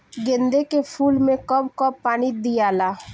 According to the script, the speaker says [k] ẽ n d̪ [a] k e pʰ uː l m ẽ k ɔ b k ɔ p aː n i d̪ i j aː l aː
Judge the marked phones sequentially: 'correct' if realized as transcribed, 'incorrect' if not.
incorrect, incorrect

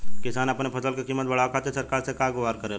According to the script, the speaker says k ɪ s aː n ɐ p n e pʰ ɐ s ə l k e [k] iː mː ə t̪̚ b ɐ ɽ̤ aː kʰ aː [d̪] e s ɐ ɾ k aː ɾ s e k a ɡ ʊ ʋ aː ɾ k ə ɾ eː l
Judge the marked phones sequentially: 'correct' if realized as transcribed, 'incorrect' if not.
correct, incorrect

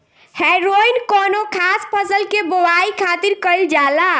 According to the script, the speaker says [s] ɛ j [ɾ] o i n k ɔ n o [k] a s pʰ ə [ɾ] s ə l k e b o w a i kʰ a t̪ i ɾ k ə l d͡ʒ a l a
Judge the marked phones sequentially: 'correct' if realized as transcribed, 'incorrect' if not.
incorrect, correct, incorrect, incorrect

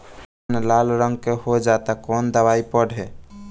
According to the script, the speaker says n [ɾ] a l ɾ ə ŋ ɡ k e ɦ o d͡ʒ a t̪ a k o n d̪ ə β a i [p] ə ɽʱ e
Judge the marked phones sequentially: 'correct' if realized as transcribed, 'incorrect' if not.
incorrect, correct

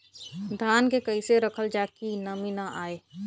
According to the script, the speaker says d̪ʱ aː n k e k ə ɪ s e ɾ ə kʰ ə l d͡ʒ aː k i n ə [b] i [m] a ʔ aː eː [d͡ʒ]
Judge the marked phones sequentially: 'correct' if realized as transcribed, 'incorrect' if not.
incorrect, incorrect, incorrect

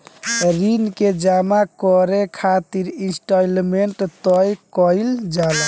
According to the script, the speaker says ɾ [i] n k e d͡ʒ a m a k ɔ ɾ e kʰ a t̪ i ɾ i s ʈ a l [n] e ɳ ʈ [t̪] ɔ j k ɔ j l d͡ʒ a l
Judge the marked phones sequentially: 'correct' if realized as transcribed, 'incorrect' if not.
correct, incorrect, correct

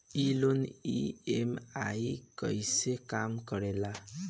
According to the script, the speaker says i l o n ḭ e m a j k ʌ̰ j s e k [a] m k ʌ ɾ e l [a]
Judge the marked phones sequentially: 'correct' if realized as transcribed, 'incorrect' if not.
correct, correct

